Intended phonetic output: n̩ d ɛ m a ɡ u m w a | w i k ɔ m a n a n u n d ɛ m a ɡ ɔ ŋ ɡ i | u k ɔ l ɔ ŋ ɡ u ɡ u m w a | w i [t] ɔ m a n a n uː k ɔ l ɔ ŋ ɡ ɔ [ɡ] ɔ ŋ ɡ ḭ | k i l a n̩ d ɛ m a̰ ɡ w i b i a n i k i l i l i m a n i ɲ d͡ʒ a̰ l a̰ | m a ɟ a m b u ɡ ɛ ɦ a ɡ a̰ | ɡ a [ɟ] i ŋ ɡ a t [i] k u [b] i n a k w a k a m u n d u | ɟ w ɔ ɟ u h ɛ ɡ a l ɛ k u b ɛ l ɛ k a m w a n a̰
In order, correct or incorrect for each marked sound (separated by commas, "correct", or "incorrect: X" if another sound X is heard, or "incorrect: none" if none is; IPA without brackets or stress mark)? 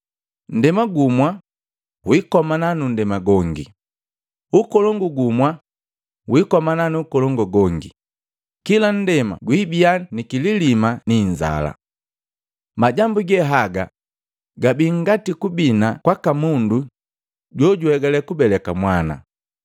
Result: incorrect: k, correct, incorrect: b, correct, correct